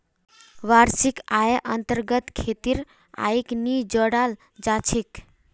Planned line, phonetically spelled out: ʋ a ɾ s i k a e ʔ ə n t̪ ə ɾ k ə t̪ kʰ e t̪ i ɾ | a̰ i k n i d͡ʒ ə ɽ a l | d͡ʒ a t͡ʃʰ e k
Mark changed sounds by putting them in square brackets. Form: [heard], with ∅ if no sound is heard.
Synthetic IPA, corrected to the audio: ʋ a ɾ s i k a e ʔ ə n t̪ ə ɾ [ɡ] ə t̪ kʰ e t̪ i ɾ | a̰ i k n i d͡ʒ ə ɽ a l | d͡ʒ a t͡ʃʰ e k